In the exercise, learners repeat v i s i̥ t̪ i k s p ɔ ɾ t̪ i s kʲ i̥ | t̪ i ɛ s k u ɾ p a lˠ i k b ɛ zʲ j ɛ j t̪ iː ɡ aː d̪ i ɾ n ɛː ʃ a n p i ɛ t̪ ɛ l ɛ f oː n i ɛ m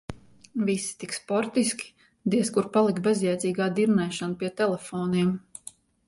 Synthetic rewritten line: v i s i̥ t̪ i k s p ɔ ɾ t̪ i s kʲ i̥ | d̪ i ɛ s k u ɾ p a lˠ i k b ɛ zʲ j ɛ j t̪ iː ɡ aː d̪ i ɾ n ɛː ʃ a n p i ɛ t̪ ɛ l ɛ f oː n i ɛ m